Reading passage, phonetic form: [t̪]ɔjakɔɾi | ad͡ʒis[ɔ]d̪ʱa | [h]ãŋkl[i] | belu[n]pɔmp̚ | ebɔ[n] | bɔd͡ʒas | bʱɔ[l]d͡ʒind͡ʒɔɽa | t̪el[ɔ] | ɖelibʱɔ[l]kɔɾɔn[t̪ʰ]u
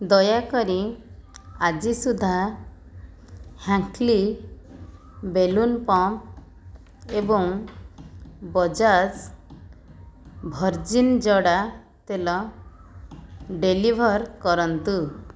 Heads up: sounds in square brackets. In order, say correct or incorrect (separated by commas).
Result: incorrect, incorrect, correct, correct, correct, incorrect, incorrect, correct, incorrect, incorrect